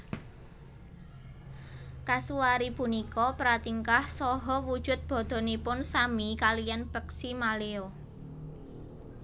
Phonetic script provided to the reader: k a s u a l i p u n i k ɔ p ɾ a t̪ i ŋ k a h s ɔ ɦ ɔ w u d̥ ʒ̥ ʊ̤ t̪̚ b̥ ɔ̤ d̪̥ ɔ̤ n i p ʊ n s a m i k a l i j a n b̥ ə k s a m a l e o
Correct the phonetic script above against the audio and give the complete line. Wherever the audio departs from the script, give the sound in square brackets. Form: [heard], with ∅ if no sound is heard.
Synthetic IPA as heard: k a s u a [ɾ] i p u n i k ɔ p ɾ a t̪ i ŋ k a h s ɔ ɦ ɔ w u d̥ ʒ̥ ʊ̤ t̪̚ b̥ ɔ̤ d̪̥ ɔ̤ n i p ʊ n s a m i k a l i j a n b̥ ə k s [i] m a l e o